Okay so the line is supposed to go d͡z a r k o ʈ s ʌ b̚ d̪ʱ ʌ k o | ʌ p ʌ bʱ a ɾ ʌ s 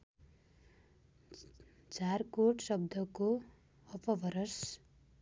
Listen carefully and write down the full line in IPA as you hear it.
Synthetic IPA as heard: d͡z a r k o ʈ s ʌ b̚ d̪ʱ ʌ k o | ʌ p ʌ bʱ ʌ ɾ ʌ s